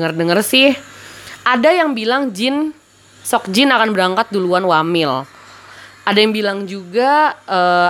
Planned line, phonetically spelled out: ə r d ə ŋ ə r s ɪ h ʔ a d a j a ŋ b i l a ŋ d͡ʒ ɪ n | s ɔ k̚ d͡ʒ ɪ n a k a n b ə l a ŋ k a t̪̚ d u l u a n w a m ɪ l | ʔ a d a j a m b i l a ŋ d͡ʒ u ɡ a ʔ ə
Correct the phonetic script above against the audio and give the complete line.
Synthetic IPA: ə r d ə ŋ ə r s ɪ h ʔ a d a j a ŋ b i l a ŋ d͡ʒ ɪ n | s ɔ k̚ d͡ʒ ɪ n a k a n b ə ɾ a ŋ k a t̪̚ d u l u a n w a m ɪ l | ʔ a d a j a ŋ b i l a ŋ d͡ʒ u ɡ a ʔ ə